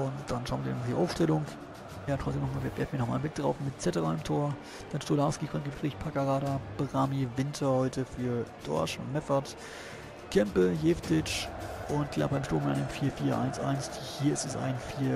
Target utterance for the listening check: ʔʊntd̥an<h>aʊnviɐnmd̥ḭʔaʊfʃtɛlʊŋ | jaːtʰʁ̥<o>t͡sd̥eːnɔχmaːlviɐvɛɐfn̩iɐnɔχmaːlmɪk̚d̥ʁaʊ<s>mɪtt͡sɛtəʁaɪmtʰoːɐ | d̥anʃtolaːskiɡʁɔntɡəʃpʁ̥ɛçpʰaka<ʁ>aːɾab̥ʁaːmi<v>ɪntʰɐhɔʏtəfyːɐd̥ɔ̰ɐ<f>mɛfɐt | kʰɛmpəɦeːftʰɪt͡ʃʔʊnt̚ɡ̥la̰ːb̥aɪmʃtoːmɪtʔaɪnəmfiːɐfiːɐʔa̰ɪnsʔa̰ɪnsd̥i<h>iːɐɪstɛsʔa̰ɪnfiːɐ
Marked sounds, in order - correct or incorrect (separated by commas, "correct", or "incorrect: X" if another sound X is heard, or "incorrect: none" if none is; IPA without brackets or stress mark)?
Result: incorrect: ʃ, incorrect: ɔ, incorrect: f, correct, correct, incorrect: ʃ, correct